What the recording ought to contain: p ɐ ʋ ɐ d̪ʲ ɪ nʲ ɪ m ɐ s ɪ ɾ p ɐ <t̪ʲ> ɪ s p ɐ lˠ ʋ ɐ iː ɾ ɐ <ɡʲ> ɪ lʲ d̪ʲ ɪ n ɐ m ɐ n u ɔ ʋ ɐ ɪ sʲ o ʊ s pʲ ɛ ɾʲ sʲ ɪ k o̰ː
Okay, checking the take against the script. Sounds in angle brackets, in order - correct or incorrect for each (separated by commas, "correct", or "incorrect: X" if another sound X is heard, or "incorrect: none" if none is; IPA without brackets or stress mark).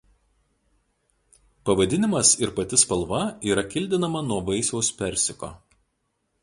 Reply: correct, incorrect: kʲ